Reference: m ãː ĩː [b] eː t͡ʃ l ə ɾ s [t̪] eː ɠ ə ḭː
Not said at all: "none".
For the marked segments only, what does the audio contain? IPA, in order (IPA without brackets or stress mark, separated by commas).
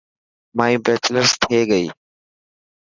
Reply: b, t̪ʰ